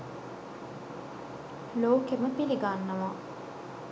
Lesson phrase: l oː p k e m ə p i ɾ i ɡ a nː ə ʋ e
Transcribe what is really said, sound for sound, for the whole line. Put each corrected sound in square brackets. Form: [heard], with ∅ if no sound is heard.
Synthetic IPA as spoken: l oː [∅] k e m ə p i [l] i ɡ a nː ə ʋ [a]

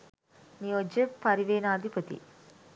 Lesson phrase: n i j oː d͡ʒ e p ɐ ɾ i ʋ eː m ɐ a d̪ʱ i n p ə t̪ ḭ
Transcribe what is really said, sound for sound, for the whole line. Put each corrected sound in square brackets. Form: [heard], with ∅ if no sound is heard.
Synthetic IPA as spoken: n i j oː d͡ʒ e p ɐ ɾ i ʋ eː [n] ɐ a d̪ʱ i [∅] p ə t̪ ḭ

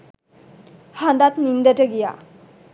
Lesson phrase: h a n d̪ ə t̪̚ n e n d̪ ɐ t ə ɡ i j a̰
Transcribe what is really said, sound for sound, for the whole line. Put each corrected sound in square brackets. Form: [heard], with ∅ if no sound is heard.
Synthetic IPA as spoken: h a n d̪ [a] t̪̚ n [i] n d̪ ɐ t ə ɡ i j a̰

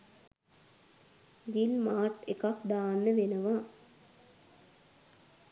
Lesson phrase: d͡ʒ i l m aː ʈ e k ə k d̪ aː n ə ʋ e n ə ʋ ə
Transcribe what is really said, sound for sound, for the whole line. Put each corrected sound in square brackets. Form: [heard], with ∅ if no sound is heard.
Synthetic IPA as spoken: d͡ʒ i l m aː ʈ e k [a] k d̪ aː [nː] ə ʋ e n ə ʋ [a]

